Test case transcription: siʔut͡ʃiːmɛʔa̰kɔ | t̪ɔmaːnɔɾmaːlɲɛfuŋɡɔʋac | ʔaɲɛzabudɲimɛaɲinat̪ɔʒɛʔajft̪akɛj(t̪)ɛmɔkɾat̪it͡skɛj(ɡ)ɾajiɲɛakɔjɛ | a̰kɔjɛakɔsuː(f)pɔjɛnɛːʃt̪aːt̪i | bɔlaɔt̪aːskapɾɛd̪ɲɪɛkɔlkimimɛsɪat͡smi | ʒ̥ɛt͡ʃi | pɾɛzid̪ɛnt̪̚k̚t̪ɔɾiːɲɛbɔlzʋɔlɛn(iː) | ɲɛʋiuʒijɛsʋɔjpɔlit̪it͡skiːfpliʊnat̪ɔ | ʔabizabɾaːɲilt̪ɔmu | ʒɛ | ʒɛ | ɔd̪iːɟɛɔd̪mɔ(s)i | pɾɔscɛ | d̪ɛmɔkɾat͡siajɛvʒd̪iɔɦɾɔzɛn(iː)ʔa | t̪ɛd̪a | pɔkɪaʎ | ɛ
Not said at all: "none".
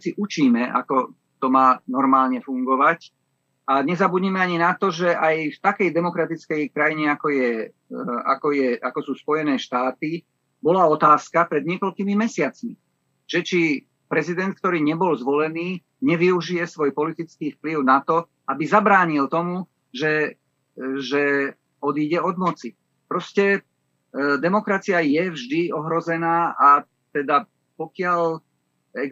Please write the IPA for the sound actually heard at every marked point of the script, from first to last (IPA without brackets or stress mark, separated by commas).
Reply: d̪, k, s, iː, t͡s, aː